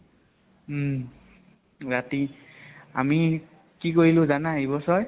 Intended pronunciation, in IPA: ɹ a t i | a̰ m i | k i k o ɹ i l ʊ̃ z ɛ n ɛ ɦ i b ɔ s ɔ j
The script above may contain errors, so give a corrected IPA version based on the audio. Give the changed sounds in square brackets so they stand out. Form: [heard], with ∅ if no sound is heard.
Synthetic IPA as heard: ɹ a t i | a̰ m i | k i k o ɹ i l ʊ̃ z [a] n [a] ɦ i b ɔ s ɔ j